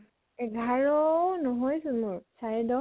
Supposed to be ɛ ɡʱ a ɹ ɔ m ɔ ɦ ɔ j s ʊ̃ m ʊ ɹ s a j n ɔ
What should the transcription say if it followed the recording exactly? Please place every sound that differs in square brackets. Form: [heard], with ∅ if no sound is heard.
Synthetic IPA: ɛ ɡʱ a ɹ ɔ [n] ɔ ɦ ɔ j s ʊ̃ m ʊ ɹ s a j [d] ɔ